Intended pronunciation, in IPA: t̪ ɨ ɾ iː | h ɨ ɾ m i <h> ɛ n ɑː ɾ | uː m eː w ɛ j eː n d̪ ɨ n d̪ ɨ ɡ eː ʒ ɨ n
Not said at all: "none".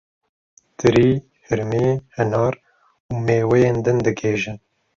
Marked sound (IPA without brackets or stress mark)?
h